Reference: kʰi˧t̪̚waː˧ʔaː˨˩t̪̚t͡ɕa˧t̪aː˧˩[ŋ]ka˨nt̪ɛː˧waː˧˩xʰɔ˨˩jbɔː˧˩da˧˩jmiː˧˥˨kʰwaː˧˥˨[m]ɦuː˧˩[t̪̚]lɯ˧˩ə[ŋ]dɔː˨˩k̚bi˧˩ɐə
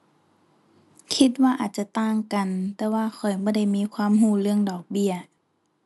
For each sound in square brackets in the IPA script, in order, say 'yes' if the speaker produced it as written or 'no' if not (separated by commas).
yes, yes, no, yes